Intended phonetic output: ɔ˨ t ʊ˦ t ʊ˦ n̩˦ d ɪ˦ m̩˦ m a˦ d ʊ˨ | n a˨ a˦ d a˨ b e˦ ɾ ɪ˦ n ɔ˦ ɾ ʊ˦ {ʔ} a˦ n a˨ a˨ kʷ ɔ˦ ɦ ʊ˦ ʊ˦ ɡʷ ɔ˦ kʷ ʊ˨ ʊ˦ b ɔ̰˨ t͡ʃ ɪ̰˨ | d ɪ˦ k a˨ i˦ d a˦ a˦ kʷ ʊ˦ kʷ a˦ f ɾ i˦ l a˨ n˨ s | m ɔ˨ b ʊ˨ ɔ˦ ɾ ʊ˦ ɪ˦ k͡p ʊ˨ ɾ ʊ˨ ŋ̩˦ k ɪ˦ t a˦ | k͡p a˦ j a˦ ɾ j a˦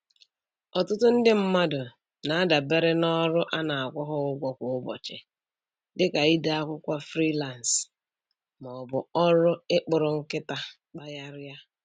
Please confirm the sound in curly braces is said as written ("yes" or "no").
yes